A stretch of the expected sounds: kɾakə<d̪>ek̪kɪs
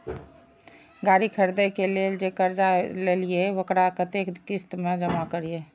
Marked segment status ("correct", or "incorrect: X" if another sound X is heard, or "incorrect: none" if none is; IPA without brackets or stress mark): incorrect: t̪